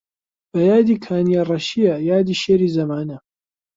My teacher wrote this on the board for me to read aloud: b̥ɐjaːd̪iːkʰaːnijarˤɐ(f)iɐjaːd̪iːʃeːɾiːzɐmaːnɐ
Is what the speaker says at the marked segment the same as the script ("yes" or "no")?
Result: no